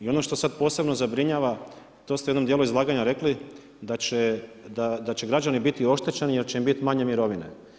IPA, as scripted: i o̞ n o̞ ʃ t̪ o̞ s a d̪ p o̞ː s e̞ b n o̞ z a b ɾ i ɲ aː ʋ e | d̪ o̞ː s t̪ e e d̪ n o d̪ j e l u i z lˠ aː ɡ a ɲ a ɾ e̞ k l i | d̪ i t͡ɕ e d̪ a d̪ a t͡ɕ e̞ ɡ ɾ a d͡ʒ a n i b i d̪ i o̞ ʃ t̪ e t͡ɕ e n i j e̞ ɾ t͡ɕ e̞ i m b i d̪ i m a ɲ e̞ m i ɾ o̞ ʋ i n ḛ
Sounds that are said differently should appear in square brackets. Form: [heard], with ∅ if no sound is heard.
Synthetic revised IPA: i o̞ n o̞ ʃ t̪ o̞ s a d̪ p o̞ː s e̞ b n o̞ z a b ɾ i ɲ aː ʋ [a] | [t̪] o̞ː s t̪ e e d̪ n o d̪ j e l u i z lˠ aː ɡ a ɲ a ɾ e̞ k l i | d̪ [a] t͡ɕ e d̪ a d̪ a t͡ɕ e̞ ɡ ɾ a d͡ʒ a n i b i [t̪] i o̞ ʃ t̪ e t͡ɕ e n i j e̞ ɾ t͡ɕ e̞ i m b i [t̪] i m a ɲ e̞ m i ɾ o̞ ʋ i n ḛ